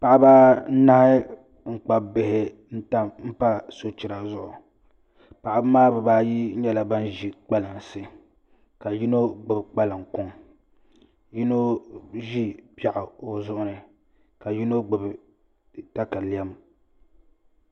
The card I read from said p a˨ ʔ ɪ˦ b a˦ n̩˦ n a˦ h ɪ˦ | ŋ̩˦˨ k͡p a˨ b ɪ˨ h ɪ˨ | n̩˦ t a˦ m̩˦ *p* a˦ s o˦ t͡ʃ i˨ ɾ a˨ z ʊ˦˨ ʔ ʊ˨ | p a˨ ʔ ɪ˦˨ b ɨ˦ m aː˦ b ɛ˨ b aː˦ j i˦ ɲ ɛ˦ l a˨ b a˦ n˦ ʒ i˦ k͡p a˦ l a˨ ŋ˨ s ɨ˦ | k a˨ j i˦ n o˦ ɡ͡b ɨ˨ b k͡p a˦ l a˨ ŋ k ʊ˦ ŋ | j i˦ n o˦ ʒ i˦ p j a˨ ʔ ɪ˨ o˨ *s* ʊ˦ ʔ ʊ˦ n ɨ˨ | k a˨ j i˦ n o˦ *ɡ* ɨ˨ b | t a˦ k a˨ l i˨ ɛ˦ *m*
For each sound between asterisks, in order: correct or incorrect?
correct, incorrect, incorrect, correct

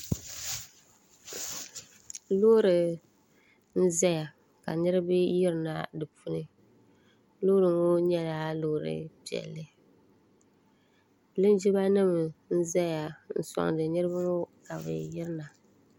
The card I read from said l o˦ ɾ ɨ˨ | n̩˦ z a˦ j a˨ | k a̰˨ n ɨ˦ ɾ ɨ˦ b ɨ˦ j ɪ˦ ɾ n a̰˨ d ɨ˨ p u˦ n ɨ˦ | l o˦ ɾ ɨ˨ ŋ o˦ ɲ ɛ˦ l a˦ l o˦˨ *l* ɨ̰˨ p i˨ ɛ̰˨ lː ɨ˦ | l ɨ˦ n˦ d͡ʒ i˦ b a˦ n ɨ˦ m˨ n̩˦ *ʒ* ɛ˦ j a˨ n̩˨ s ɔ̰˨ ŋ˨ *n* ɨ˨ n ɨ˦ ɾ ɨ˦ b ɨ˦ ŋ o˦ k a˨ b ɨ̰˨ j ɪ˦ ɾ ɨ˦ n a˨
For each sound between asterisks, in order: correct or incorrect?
incorrect, incorrect, incorrect

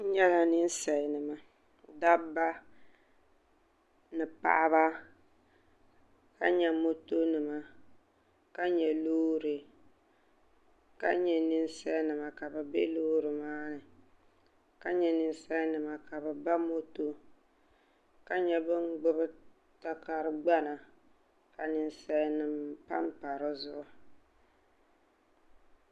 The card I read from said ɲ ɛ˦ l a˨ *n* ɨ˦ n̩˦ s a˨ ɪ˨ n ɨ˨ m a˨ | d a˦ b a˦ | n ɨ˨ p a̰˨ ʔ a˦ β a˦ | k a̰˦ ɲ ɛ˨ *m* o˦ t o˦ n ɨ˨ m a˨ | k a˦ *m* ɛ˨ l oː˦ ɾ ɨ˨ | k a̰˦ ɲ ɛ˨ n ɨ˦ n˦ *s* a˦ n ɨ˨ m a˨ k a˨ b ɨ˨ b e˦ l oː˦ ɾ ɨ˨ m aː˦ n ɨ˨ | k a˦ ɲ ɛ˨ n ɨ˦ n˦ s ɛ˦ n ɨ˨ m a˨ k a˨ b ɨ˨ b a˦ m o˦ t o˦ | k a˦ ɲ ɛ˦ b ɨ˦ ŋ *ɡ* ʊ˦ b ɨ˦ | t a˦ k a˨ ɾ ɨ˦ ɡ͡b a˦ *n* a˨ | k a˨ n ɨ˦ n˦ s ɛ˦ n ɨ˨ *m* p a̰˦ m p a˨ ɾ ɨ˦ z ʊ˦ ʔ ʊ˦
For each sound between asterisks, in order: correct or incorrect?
correct, correct, incorrect, correct, incorrect, correct, correct

